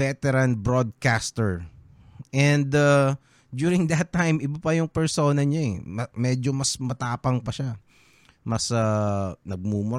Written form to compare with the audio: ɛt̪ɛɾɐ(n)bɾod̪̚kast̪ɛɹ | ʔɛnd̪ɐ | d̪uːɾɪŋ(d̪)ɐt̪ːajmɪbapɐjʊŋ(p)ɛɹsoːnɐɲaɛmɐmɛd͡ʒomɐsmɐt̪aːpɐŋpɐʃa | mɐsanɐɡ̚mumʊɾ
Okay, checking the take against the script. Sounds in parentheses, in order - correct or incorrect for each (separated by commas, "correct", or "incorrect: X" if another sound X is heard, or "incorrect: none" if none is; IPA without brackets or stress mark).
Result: correct, correct, correct